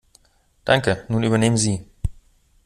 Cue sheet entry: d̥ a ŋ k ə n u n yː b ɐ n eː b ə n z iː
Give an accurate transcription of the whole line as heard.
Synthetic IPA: d̥ a ŋ k ə n uː n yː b ɐ n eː m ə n z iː